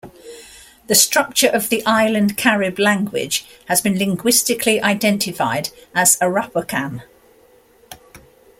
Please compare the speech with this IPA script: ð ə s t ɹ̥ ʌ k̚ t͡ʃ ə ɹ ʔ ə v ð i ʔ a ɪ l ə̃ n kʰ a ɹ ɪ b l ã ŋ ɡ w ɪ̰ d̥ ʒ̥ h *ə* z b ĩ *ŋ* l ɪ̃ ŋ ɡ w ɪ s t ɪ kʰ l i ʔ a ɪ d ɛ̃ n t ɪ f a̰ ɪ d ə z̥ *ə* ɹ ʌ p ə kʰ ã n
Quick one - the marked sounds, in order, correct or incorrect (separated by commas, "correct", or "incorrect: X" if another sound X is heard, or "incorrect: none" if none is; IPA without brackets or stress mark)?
correct, incorrect: n, correct